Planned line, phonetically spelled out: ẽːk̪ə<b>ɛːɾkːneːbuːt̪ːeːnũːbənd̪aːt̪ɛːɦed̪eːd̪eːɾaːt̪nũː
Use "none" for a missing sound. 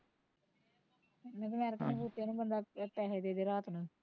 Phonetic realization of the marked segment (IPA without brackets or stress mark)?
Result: m